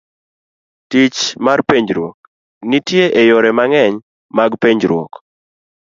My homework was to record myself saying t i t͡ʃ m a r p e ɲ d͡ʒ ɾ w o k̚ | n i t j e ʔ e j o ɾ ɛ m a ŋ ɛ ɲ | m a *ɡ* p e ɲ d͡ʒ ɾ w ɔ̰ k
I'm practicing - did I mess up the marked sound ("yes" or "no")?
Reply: no